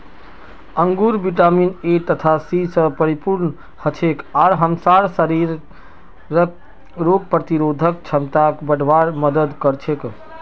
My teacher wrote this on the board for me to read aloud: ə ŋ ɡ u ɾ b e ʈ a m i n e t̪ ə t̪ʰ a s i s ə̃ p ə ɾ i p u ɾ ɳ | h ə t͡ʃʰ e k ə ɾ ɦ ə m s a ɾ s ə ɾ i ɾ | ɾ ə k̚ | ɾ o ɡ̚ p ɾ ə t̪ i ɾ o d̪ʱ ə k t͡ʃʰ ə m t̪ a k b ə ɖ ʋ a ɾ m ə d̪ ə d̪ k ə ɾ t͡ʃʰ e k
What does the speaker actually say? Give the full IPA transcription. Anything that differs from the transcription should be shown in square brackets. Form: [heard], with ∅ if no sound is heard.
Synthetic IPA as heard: ə ŋ ɡ u ɾ b [i] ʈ a m i n e t̪ ə t̪ʰ a s i s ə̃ p ə ɾ i p u ɾ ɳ | h ə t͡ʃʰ e k [a] ɾ ɦ ə m s a ɾ s ə ɾ i ɾ | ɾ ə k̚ | ɾ o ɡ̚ p ɾ ə t̪ i ɾ o d̪ʱ ə k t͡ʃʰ ə m t̪ a k b ə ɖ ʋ a ɾ m ə d̪ ə d̪ k ə ɾ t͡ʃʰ e k